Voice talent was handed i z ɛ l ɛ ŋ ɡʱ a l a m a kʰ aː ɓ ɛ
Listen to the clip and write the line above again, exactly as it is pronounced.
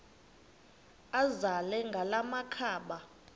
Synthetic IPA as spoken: a z a l ɛ ŋ ɡʱ a l a m a kʰ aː ɓ a